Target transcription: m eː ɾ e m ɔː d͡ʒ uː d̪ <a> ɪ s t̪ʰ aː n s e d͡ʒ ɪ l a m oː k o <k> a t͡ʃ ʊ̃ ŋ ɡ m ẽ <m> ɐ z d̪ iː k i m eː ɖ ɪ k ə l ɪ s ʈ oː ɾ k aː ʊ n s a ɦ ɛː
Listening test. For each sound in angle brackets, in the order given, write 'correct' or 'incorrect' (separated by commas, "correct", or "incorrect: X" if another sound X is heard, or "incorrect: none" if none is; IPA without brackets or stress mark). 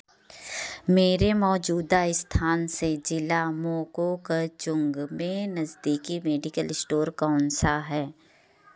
correct, correct, incorrect: n